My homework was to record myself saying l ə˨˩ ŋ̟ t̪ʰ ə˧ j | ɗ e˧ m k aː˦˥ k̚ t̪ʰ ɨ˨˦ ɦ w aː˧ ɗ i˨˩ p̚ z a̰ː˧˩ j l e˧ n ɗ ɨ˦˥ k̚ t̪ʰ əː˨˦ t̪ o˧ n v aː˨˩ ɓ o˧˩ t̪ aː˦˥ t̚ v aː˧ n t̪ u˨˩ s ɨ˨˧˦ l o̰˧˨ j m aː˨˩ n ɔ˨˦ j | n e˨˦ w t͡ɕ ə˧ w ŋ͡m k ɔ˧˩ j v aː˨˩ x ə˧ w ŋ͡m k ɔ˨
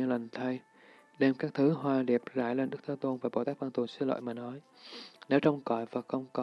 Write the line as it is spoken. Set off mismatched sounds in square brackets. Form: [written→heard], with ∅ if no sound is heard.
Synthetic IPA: l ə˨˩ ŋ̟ t̪ʰ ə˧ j | ɗ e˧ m k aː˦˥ k̚ t̪ʰ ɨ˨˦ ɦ w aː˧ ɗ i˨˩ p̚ z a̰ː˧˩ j l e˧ n ɗ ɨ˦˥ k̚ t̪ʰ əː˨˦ t̪ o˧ n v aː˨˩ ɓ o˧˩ t̪ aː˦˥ [t̚→k̚] v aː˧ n t̪ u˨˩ s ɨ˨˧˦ l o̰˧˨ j m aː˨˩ n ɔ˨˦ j | n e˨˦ w t͡ɕ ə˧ w ŋ͡m k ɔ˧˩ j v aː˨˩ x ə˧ w ŋ͡m k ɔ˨